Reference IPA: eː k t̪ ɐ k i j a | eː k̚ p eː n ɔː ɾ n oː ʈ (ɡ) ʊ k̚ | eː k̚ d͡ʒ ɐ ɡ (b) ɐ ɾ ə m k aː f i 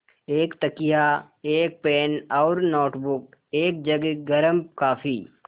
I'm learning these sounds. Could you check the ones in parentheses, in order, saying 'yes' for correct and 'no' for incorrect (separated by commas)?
no, no